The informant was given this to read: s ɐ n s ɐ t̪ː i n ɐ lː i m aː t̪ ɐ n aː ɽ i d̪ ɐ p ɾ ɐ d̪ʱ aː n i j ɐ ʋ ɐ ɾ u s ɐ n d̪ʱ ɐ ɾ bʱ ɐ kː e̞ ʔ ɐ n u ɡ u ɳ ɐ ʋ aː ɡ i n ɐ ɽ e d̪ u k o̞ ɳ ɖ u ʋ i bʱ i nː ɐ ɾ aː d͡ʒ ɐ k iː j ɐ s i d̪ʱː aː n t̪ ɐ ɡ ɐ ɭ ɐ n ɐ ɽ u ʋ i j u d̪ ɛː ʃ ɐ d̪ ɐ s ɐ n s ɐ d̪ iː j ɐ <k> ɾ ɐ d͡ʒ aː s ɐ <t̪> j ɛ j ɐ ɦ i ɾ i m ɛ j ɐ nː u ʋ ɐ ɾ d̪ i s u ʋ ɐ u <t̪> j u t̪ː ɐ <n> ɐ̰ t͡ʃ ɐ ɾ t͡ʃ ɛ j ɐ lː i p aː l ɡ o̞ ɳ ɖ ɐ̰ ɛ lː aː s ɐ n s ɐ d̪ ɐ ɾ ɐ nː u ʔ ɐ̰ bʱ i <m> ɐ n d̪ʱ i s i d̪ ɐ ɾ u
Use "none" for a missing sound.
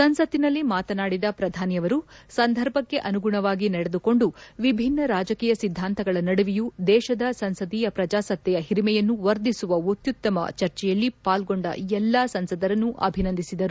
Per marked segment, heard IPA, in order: p, t̪, t̪, m, n

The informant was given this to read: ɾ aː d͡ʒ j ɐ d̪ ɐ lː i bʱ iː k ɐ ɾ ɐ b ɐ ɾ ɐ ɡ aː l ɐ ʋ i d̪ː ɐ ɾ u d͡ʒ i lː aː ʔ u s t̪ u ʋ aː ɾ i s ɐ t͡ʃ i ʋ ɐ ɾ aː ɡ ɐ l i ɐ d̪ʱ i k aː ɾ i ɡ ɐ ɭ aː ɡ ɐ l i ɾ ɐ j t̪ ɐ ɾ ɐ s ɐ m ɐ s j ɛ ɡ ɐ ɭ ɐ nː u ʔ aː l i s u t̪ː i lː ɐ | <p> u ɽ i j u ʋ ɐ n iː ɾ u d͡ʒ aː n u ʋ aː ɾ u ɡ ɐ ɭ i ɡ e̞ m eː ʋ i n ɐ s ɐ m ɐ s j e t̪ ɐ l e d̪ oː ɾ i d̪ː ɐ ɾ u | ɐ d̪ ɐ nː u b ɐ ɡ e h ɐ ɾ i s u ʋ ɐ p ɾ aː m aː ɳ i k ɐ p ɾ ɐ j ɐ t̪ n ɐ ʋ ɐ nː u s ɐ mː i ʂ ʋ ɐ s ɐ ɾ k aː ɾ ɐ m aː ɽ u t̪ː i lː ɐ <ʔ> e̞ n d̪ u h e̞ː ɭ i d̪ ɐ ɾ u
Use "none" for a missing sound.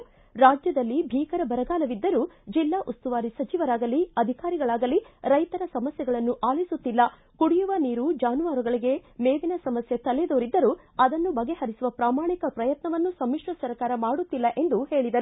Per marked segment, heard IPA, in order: k, ʔ

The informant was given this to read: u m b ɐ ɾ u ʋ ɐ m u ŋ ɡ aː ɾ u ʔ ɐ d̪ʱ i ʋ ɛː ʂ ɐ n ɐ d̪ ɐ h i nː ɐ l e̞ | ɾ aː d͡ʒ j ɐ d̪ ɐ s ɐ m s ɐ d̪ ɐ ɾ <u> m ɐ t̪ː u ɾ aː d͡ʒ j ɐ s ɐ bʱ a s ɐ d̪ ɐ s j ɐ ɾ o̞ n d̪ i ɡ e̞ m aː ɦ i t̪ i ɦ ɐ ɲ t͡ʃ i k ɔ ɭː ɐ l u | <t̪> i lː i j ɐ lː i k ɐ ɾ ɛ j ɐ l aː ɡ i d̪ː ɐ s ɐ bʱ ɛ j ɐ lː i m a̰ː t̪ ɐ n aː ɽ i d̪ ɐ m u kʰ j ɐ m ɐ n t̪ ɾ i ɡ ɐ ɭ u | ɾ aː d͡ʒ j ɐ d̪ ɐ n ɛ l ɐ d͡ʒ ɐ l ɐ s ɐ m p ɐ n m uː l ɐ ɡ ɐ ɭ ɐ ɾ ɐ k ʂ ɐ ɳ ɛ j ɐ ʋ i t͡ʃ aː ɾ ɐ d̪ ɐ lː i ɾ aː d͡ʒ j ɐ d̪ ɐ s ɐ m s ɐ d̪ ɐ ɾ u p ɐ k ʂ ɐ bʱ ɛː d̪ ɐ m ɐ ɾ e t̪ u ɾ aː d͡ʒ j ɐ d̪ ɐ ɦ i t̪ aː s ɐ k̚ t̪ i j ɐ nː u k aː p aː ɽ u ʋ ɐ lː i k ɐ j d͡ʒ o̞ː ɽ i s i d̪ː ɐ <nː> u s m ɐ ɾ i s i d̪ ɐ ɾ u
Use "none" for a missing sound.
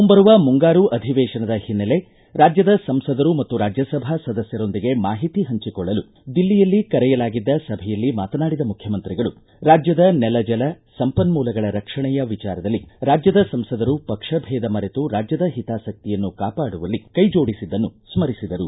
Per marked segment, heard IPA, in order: u, d̪, nː

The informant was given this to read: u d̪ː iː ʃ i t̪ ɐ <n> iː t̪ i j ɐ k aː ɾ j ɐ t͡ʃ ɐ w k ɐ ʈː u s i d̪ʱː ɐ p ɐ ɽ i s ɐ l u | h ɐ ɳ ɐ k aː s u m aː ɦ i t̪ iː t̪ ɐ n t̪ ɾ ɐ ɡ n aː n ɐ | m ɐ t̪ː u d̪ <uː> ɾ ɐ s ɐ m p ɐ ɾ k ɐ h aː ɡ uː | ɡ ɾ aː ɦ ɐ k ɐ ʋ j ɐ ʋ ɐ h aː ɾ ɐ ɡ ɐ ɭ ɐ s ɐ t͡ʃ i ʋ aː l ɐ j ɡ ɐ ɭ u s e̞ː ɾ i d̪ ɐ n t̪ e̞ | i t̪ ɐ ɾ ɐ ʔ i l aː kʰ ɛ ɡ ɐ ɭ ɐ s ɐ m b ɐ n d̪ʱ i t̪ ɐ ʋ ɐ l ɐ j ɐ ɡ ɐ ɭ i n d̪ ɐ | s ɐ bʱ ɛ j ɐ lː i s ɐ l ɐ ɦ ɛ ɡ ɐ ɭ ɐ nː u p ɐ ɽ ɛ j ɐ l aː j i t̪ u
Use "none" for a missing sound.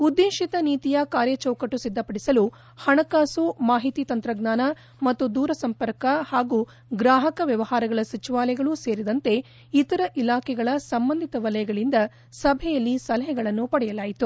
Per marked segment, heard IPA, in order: n, uː

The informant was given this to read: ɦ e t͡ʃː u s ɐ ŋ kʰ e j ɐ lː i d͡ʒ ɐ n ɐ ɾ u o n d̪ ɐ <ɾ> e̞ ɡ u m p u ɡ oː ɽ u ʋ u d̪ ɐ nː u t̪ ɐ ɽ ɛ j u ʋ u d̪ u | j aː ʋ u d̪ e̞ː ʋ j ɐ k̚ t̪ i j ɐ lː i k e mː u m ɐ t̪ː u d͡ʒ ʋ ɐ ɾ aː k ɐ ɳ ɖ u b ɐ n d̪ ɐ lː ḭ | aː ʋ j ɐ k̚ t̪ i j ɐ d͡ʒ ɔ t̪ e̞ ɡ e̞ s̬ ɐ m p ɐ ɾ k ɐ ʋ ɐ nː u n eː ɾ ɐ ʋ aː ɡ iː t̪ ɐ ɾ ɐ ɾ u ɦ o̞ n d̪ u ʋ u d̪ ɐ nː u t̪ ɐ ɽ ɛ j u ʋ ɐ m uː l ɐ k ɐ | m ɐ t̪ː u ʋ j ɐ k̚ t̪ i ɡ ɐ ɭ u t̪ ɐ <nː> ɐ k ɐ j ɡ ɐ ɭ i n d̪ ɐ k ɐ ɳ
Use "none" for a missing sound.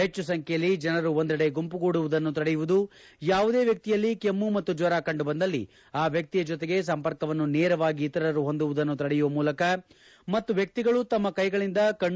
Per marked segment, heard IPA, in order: ɽ, mː

